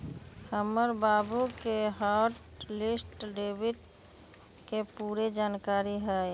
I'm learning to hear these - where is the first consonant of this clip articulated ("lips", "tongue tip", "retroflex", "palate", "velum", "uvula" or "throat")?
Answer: throat